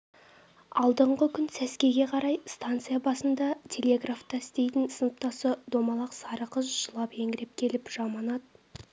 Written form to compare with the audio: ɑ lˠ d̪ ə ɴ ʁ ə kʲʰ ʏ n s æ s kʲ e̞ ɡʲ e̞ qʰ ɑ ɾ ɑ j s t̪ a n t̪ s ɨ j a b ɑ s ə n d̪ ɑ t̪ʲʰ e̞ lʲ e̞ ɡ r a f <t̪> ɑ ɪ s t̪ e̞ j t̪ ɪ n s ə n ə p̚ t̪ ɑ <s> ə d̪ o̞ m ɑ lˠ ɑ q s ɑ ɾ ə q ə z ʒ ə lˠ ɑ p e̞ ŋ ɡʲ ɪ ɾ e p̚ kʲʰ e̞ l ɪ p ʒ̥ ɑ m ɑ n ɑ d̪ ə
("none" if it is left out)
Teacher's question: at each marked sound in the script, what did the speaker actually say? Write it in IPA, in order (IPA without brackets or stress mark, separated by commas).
t̪, s